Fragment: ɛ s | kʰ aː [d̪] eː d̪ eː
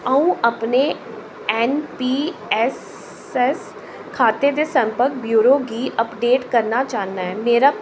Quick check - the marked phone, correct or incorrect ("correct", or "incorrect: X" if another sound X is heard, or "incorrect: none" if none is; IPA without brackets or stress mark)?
incorrect: t̪